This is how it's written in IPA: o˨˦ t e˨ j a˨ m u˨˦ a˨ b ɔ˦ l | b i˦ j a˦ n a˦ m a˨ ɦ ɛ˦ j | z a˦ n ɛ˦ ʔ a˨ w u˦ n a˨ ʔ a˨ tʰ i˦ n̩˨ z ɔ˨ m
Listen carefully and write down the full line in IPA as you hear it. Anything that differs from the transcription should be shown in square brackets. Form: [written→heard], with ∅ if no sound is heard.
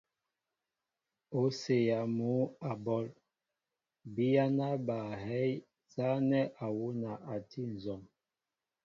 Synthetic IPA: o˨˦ [t→s] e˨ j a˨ m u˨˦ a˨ b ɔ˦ l | b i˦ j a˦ n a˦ [m→b] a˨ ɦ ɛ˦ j | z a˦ n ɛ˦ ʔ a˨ w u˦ n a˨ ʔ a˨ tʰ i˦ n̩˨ z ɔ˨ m